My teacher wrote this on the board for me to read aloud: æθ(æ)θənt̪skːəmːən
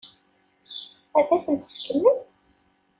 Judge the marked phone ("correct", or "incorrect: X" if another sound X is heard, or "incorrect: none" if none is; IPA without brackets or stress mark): correct